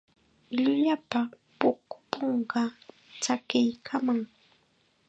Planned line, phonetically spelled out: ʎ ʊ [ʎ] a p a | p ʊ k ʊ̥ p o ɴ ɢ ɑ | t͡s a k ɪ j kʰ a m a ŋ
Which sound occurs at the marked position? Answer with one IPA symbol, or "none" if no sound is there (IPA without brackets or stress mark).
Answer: ʎ